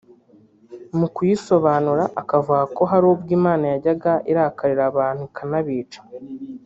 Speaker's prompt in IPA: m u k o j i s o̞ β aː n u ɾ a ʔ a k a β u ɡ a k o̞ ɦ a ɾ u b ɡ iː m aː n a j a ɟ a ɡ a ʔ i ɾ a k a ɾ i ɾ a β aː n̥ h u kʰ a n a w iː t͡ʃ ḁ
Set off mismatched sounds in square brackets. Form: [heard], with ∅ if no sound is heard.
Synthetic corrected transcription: m u k [u] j i s o̞ β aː n u ɾ a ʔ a k a [v] u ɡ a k o̞ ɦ a ɾ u b ɡ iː m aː n a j a ɟ a ɡ a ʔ i ɾ a k a ɾ i ɾ a β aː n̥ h u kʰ a n a [β] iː t͡ʃ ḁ